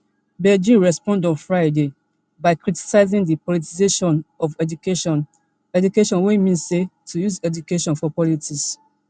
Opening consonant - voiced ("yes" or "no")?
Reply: yes